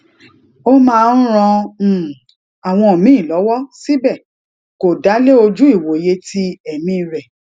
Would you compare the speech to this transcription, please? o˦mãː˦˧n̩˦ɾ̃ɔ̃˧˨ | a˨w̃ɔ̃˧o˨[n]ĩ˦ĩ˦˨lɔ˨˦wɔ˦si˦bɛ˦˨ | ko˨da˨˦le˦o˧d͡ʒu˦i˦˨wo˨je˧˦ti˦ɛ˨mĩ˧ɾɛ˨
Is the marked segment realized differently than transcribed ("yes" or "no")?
yes